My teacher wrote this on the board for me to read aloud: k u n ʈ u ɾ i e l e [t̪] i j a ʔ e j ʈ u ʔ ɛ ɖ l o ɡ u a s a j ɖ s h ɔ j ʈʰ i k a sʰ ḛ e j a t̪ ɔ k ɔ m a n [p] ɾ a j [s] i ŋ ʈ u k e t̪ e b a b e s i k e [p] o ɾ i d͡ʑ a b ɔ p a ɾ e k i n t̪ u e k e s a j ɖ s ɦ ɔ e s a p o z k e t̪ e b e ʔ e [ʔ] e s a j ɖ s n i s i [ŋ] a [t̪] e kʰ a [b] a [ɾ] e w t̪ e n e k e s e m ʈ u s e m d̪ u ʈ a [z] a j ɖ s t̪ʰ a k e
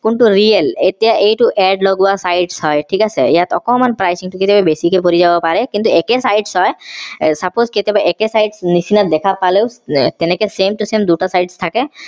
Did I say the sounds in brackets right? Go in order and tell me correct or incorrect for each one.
correct, correct, correct, correct, incorrect: k, incorrect: n, incorrect: d̪, incorrect: p, incorrect: l, incorrect: s

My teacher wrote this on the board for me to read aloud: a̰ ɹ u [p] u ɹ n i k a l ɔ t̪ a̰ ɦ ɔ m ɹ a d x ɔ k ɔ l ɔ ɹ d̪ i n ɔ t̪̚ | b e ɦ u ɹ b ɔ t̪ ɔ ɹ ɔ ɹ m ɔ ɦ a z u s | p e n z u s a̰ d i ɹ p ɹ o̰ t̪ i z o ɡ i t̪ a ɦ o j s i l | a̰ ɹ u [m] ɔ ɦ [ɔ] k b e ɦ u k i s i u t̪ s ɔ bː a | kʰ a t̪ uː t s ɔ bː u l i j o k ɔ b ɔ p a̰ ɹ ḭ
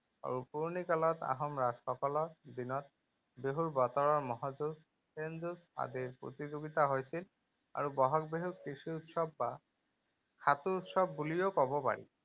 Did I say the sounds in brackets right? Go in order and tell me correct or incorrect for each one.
correct, incorrect: b, correct

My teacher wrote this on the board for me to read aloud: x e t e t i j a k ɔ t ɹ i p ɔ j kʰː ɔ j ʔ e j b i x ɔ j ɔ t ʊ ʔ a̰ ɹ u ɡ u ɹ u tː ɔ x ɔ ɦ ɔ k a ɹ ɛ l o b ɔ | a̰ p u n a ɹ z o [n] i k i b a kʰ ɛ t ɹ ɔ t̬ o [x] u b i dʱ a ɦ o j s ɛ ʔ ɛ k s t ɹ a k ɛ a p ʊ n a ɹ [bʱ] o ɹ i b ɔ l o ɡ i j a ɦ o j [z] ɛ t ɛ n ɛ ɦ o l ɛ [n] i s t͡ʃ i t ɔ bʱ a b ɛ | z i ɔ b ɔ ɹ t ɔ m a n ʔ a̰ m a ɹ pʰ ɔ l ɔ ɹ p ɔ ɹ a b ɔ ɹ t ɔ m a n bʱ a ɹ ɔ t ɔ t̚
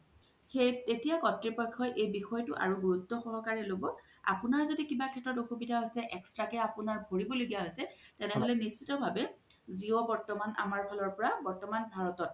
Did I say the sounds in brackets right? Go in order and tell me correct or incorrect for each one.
incorrect: d, correct, correct, incorrect: s, correct

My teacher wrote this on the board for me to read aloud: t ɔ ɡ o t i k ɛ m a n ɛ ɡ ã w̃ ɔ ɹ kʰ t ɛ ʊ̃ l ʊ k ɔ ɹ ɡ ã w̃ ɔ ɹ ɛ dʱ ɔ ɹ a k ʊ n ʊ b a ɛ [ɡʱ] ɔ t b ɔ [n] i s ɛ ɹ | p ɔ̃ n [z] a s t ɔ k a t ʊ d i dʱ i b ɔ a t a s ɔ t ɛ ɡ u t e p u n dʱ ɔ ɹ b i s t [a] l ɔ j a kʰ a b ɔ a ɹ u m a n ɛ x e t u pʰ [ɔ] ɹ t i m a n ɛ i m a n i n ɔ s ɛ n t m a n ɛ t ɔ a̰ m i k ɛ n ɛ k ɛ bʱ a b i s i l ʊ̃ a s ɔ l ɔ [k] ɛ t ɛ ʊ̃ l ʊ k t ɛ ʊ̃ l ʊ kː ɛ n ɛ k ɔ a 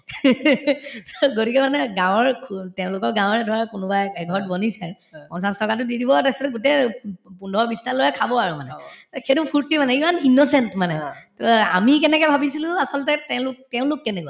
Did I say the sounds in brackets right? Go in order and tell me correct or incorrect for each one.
correct, correct, incorrect: s, correct, incorrect: u, incorrect: t

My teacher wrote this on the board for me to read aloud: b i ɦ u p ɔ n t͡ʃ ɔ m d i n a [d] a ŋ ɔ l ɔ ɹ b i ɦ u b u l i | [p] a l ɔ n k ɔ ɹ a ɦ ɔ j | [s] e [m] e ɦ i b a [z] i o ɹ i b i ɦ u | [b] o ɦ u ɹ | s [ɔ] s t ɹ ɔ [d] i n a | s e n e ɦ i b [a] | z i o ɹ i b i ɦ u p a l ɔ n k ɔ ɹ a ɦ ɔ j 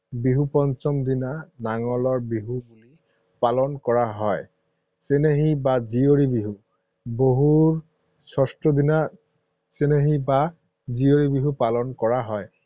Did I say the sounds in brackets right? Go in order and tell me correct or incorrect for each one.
incorrect: n, correct, correct, incorrect: n, correct, correct, correct, correct, correct

